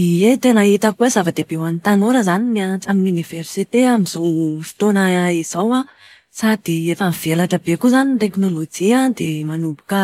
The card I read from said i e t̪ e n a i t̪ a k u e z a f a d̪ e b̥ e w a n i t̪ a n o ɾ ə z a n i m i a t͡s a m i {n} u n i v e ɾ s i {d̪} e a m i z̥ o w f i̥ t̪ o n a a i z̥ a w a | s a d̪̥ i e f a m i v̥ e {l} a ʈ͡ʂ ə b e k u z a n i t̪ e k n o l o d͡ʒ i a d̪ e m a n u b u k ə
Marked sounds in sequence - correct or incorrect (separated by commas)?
correct, incorrect, correct